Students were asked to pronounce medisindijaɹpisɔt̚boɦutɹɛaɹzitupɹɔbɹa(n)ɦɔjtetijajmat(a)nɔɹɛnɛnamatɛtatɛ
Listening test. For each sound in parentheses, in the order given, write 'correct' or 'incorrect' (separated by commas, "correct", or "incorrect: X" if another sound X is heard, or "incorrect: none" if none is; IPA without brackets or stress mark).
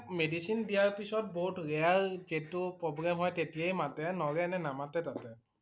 incorrect: m, incorrect: ɛ